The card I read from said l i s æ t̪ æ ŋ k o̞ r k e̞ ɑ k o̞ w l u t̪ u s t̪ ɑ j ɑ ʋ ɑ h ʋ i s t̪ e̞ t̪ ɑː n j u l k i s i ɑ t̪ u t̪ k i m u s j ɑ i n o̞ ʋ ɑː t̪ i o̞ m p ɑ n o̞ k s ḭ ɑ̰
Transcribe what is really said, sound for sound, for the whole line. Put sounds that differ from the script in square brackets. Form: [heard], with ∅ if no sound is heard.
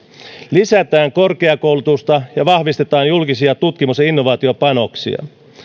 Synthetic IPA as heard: l i s æ t̪ [æː] ŋ k o̞ r k e̞ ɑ k o̞ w l u t̪ u s t̪ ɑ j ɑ ʋ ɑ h ʋ i s t̪ e̞ t̪ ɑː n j u l k i s i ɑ t̪ u t̪ k i m u s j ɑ i [nː] o̞ ʋ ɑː t̪ i o̞ [∅] p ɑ n o̞ k s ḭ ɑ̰